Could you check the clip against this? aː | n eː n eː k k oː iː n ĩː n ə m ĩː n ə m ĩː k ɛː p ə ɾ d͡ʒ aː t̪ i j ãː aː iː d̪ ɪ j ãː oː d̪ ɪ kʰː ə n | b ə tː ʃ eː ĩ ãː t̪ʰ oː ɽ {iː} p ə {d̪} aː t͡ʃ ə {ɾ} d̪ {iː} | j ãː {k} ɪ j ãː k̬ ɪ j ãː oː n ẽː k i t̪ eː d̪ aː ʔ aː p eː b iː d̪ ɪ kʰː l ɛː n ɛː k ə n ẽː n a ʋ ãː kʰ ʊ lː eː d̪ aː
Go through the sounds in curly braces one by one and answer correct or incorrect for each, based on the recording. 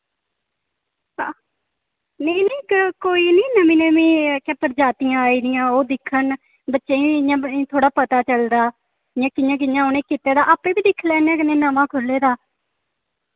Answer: incorrect, incorrect, incorrect, incorrect, correct

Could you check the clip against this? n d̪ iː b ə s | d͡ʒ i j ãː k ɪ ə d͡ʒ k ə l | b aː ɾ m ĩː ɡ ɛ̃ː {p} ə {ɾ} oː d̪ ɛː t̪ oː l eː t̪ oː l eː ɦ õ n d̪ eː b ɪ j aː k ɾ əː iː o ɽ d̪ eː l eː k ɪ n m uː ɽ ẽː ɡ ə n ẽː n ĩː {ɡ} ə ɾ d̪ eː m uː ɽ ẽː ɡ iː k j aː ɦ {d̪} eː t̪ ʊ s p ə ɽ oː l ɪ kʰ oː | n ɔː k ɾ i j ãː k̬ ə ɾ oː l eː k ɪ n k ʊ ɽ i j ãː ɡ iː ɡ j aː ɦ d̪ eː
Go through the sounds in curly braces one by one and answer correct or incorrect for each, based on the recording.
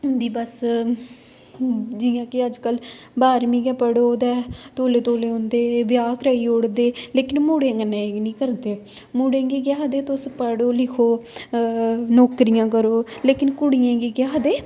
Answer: correct, incorrect, incorrect, correct

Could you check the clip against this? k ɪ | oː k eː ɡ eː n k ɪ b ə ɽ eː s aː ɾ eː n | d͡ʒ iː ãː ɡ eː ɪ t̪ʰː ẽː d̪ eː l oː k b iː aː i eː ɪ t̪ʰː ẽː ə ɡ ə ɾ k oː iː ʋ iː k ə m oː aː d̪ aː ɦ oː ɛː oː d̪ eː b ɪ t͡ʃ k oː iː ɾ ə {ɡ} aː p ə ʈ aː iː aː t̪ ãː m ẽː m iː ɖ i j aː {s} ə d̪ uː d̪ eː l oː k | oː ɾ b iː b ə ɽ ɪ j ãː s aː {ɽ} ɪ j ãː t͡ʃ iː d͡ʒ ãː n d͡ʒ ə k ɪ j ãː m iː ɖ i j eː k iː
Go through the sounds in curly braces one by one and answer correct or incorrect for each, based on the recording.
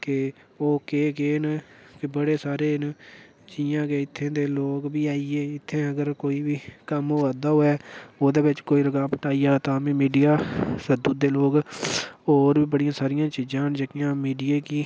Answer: correct, correct, incorrect

